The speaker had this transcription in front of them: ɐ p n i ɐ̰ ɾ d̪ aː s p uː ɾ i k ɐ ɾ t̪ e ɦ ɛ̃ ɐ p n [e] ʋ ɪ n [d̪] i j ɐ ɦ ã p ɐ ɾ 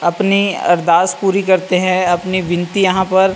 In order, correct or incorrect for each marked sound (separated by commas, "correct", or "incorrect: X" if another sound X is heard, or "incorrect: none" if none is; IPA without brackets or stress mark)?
incorrect: i, incorrect: t̪